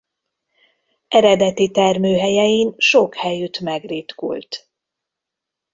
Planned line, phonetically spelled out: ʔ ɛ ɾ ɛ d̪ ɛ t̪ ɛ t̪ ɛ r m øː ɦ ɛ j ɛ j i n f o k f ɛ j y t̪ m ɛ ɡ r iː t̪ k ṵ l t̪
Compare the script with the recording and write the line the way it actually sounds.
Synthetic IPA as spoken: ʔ ɛ ɾ ɛ d̪ ɛ t̪ i t̪ ɛ r m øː ɦ ɛ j ɛ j i n ʃ o k h ɛ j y t̪ m ɛ ɡ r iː t̪ k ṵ l t̪

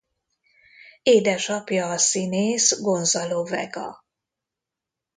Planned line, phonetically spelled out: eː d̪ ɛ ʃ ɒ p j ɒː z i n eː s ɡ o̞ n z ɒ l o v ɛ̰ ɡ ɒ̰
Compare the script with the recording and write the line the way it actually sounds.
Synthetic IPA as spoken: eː d̪ ɛ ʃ ɒ p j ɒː s i n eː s ɡ o̞ n z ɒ l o v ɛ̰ ɡ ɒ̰

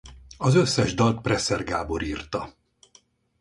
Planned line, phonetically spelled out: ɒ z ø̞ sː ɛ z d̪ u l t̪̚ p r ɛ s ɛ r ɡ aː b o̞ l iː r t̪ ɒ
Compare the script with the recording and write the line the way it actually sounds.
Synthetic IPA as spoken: ɒ z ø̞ sː ɛ ʒ d̪ ɒ l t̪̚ p r ɛ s ɛ r ɡ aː b o̞ ɾ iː r t̪ ɒ

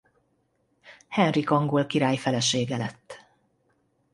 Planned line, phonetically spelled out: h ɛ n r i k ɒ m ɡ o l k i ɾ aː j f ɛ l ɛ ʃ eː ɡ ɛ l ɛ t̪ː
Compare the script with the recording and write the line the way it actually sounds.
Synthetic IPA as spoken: h ɛ n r i k ɒ ŋ ɡ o l k i ɾ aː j f ɛ l ɛ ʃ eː ɡ ɛ l ɛ t̪ː

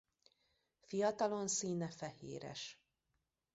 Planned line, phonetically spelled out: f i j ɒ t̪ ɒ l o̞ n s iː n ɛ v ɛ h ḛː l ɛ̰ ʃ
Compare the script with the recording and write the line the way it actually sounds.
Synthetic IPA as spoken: f i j ɒ t̪ ɒ l o̞ n s iː n ɛ f ɛ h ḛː ɾ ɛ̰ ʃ

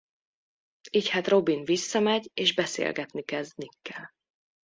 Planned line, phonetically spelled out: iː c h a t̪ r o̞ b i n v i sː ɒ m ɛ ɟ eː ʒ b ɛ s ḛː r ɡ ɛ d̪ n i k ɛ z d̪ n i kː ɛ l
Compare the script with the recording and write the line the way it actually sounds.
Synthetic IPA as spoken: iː c h a t̪ r o̞ b i n v i sː ɒ m ɛ ɟ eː ʒ b ɛ s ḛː l ɡ ɛ t̪ n i k ɛ z d̪ n i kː ɛ l

